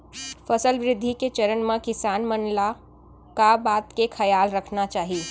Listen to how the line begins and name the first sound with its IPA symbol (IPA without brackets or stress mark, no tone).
f